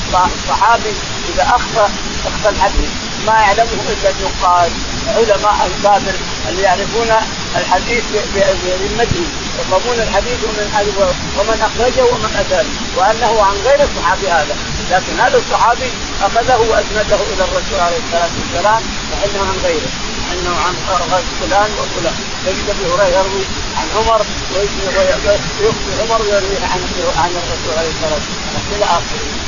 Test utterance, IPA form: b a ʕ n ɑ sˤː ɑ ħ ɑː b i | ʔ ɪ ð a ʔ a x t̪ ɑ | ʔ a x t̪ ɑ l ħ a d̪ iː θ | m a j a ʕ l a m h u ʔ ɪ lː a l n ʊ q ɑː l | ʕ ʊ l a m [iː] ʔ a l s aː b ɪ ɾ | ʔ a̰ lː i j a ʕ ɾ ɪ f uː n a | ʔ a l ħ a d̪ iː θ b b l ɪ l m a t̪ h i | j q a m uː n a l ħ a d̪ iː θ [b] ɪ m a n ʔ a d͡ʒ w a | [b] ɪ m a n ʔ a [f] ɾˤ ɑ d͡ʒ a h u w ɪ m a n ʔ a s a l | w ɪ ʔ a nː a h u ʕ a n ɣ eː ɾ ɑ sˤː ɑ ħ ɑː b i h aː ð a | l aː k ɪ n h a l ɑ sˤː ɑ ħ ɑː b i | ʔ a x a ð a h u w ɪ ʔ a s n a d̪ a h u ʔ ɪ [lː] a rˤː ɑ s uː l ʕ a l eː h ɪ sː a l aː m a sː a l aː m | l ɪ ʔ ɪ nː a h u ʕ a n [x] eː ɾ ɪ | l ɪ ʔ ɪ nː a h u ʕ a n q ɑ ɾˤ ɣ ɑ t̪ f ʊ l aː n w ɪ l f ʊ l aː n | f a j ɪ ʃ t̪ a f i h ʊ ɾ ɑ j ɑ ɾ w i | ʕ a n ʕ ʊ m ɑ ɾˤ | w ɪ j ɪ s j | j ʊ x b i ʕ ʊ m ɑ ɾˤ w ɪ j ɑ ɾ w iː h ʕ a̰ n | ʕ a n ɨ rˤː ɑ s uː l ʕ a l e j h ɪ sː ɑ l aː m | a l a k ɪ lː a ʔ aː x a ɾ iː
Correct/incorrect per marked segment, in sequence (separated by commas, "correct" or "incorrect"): incorrect, incorrect, incorrect, incorrect, incorrect, incorrect